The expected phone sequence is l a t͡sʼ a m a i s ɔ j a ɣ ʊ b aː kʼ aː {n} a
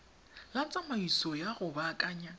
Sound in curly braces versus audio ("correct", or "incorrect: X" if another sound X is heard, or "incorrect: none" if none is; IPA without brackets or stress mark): incorrect: ɲ